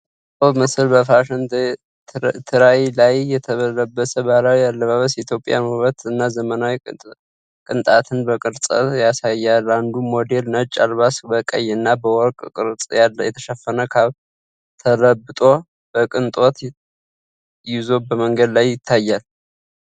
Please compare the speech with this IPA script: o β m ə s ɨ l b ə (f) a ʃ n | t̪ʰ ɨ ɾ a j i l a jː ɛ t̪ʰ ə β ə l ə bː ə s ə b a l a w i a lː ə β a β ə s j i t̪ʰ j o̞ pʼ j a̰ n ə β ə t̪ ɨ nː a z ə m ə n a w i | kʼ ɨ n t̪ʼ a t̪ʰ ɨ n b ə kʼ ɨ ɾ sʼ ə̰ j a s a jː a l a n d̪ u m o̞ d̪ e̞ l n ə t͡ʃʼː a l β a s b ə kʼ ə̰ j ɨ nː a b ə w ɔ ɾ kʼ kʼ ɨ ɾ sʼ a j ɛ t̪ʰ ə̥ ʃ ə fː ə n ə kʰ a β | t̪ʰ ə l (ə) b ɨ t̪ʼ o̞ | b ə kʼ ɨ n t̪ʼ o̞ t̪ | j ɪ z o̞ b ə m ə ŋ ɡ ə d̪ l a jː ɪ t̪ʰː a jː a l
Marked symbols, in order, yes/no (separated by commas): yes, yes